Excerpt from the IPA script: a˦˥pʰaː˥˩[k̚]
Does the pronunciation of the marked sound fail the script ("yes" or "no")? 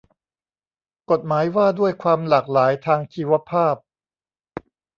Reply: yes